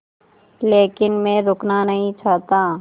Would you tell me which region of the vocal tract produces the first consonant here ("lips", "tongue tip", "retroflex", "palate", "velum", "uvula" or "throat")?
tongue tip